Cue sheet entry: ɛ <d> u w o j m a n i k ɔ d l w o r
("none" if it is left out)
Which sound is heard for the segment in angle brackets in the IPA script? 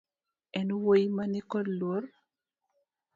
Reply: n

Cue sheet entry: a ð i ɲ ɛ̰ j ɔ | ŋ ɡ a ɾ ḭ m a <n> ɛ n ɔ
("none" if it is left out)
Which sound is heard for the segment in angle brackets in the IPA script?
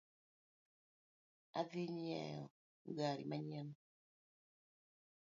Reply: ɲ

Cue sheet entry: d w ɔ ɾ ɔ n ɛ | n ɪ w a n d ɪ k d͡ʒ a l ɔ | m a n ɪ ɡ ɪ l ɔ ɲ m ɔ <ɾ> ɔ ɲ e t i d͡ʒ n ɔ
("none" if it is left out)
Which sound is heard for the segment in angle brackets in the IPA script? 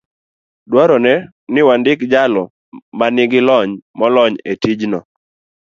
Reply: l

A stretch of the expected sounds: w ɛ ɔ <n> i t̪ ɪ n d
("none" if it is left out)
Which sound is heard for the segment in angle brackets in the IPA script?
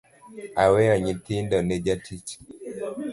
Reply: ɲ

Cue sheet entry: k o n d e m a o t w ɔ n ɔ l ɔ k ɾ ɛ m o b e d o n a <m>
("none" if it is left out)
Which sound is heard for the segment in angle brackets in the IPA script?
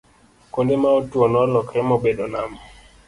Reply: m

